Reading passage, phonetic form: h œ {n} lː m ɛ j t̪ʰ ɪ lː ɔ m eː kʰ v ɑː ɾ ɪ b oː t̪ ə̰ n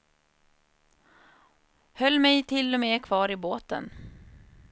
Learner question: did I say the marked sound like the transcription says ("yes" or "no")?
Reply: no